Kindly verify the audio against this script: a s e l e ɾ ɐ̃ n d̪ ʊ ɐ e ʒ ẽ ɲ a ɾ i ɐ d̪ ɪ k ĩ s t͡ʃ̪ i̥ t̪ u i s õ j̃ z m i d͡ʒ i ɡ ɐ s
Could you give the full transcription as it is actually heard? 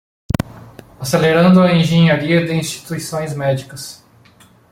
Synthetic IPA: a s e l e ɾ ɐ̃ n d̪ ʊ ɐ ẽ ʒ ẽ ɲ a ɾ i ɐ d̪ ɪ ĩ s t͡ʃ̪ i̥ t̪ u i s õ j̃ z m ɛ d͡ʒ i k ɐ s